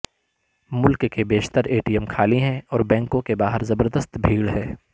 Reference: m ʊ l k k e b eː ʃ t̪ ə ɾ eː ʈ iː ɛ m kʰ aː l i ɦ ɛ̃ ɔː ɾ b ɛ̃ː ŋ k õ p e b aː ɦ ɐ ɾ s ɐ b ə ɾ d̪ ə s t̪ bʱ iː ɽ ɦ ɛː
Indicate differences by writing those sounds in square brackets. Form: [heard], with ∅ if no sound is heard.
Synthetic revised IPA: m ʊ l k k e b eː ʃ t̪ ə ɾ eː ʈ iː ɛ m kʰ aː l i ɦ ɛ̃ ɔː ɾ b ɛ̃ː ŋ k õ [k] e b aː ɦ [ə] ɾ [z] ɐ b ə ɾ d̪ ə s t̪ bʱ iː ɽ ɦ ɛː